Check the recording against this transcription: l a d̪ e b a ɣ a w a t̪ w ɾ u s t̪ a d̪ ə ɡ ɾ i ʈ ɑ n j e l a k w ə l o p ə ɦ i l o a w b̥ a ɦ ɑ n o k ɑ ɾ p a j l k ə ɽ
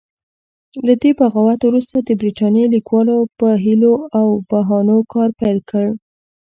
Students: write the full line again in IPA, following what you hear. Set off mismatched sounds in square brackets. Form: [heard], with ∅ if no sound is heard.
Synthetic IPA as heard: l a d̪ e b a ɣ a w a t̪ w ɾ u s t̪ a d̪ ə [b] ɾ i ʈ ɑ n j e l [i] k w [ɑ] l o p ə ɦ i l o a w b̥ a ɦ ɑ n o k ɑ ɾ p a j l k ə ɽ